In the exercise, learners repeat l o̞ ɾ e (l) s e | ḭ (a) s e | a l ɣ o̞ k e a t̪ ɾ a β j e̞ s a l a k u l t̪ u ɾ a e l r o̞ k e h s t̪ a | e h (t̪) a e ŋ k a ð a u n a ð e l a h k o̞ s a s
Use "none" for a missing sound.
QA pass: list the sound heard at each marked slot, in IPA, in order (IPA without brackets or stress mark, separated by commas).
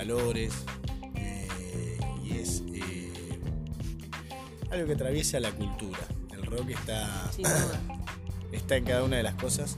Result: none, e, t̪